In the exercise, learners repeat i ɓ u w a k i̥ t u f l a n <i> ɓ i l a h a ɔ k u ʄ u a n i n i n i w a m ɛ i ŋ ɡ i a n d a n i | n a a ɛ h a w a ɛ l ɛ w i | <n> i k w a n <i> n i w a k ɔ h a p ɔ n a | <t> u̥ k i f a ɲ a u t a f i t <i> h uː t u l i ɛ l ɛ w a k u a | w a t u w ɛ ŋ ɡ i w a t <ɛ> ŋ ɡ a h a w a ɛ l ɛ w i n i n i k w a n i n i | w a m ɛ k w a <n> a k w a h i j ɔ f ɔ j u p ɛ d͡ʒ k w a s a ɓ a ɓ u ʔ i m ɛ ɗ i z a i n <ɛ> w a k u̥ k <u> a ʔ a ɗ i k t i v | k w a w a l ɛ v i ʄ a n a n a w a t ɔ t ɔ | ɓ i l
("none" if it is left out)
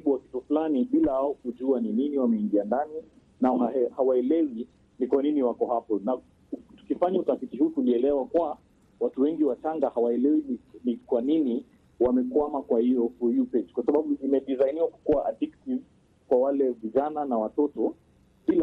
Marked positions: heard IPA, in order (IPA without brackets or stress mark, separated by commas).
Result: i, n, i, t, i, a, m, i, u